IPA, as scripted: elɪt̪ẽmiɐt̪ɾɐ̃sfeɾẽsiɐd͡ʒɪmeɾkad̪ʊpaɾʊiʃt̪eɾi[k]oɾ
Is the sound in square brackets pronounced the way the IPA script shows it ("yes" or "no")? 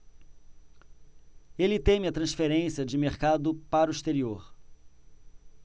no